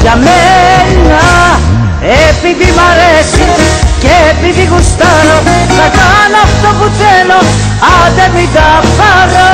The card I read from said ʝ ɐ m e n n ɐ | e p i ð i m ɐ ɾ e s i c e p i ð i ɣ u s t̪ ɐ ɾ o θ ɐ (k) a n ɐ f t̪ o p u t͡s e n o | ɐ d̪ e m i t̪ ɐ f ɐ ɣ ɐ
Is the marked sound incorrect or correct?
correct